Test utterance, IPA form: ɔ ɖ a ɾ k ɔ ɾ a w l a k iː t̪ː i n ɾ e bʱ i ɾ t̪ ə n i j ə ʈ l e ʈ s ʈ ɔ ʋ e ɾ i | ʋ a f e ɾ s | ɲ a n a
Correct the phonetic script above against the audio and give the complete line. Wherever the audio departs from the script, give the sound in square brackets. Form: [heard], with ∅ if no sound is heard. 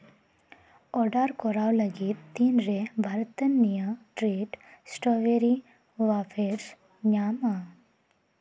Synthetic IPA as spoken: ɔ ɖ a ɾ k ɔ ɾ a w l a [ɡ] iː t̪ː i n ɾ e bʱ [a] ɾ t̪ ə n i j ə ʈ [ɾ] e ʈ s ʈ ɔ ʋ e ɾ i | ʋ a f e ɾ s | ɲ a [m] a

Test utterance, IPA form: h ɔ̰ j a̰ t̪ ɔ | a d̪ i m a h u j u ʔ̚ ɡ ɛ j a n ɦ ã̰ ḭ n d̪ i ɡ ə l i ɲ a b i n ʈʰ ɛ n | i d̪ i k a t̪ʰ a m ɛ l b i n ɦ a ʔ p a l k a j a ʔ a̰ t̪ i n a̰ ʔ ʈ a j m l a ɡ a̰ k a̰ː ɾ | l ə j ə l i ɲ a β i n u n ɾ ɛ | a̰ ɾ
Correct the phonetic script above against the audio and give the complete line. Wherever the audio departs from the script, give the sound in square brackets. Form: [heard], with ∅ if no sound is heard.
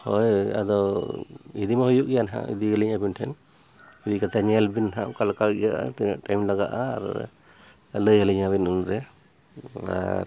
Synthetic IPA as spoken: h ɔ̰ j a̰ [d̪] ɔ | [i] d̪ i m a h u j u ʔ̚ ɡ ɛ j a n ɦ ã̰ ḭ [∅] d̪ i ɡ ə l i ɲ a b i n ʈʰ ɛ n | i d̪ i k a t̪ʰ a [ɲ] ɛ l b i n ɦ a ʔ [k] a l k a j a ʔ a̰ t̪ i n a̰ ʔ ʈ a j m l a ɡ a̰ [ʔ] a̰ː ɾ | l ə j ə l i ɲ a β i n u n ɾ ɛ | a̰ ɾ

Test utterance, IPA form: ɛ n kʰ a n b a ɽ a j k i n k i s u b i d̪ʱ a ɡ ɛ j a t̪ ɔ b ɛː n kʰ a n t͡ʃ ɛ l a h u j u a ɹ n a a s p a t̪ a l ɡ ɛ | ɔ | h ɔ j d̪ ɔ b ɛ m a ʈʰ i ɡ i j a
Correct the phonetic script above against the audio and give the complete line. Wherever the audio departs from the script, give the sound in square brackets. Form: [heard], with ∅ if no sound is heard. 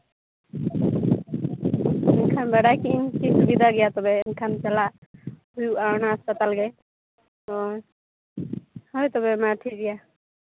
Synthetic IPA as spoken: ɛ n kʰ a n b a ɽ a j k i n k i s u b i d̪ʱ a ɡ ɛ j a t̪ ɔ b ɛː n kʰ a n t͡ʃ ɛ l a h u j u a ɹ n a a s p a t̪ a l ɡ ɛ | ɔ | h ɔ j [t̪] ɔ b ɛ m a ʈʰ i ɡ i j a

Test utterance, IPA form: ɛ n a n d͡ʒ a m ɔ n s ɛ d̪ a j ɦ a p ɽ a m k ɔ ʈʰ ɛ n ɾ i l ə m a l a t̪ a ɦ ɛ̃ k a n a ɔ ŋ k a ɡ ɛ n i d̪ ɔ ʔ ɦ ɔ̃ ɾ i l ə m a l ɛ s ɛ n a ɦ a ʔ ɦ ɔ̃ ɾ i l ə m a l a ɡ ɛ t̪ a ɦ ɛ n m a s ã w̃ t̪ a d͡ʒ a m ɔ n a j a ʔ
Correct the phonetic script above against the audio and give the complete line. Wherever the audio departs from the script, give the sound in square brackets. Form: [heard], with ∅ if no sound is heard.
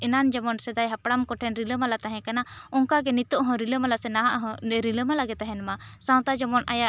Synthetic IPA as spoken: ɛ n a n d͡ʒ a m ɔ n s ɛ d̪ a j ɦ a p ɽ a m k ɔ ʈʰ ɛ n ɾ i l ə m a l a t̪ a ɦ ɛ̃ k a n a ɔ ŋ k a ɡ ɛ n i [t̪] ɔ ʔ ɦ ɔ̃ ɾ i l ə m a l [a] s ɛ n a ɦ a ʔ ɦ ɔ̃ ɾ i l ə m a l a ɡ ɛ t̪ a ɦ ɛ n m a s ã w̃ t̪ a d͡ʒ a m ɔ n a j a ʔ

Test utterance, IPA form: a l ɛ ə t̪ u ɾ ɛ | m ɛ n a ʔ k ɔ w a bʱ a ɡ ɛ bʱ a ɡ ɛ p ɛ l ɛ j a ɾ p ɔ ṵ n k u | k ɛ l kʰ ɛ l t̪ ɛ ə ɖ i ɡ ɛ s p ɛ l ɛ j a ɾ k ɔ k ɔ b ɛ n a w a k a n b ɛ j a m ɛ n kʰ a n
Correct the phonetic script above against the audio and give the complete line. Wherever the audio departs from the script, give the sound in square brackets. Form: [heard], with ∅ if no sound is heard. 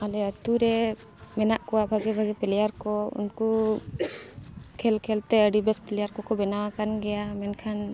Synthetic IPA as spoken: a l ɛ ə t̪ u ɾ ɛ | m ɛ n a ʔ k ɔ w a bʱ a ɡ ɛ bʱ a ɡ ɛ p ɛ l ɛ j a ɾ [k] ɔ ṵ n k u | [kʰ] ɛ l kʰ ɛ l t̪ ɛ ə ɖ i [b] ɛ s p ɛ l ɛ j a ɾ k ɔ k ɔ b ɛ n a w a k a n [ɡ] ɛ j a m ɛ n kʰ a n

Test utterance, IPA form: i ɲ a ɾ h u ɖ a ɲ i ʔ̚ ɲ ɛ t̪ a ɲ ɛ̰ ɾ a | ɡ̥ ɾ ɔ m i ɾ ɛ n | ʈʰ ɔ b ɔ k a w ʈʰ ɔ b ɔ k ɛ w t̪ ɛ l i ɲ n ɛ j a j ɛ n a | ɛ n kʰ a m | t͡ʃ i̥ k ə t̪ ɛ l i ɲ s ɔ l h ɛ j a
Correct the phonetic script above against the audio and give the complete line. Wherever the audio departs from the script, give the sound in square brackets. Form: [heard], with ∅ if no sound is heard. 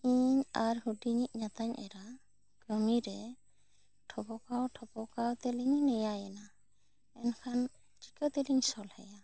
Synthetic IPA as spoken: i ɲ a ɾ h u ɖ [i] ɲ i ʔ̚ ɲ [a] t̪ a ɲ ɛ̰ ɾ a | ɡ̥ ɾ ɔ m i ɾ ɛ [∅] | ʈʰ ɔ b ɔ k a w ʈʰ ɔ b ɔ k [a] w t̪ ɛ l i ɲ n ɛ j a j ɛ n a | ɛ n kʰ a [n] | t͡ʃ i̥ k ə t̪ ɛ l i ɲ s ɔ l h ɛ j a

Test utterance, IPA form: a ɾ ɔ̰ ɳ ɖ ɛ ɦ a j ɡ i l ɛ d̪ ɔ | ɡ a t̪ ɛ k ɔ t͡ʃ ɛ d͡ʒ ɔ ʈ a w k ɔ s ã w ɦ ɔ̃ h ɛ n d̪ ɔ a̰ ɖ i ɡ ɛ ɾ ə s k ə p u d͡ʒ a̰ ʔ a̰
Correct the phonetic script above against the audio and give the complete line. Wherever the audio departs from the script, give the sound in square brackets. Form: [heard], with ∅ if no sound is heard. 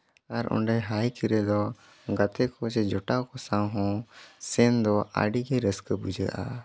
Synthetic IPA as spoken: a ɾ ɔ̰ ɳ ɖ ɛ ɦ a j [k] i [ɾ] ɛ d̪ ɔ | ɡ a t̪ ɛ k ɔ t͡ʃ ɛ d͡ʒ ɔ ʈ a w k ɔ s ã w ɦ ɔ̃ [s] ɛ n d̪ ɔ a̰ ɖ i ɡ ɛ ɾ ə s k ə [b] u d͡ʒ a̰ ʔ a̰

